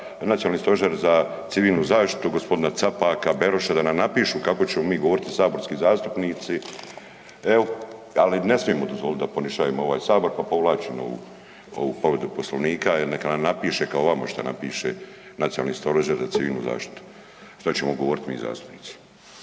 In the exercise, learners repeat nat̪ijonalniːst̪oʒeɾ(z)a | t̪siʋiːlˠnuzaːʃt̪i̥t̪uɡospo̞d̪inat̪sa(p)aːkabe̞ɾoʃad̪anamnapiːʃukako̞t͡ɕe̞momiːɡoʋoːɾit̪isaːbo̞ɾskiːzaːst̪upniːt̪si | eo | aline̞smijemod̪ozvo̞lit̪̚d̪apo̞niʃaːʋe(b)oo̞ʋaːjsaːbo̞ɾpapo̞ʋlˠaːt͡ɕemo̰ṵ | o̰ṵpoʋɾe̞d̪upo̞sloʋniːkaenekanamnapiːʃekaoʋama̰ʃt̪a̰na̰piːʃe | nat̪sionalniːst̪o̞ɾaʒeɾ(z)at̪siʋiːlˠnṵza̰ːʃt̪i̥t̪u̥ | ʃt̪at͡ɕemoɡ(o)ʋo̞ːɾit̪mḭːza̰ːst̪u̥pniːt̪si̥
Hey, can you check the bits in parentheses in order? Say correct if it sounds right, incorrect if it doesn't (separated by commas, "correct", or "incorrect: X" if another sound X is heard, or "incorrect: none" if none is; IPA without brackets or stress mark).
correct, correct, incorrect: m, correct, correct